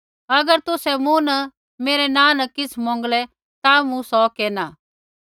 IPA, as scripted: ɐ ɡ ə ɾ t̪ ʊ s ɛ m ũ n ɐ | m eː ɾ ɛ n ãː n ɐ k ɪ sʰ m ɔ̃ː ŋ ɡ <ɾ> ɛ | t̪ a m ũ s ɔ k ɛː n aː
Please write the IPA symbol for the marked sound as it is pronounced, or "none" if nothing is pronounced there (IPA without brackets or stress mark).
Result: l